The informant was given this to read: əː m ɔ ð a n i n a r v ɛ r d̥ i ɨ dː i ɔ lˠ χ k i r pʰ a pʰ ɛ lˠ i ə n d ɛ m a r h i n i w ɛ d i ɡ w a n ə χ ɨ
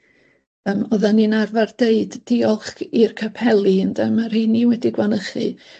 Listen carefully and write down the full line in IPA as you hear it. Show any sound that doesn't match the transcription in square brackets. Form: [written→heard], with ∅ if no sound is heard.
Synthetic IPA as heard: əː m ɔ ð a n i n a r v [ɛ→a] r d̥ [i→e] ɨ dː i ɔ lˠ χ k i r [pʰ→kʰ] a pʰ ɛ lˠ i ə n d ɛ m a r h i n i w ɛ d i ɡ w a n ə χ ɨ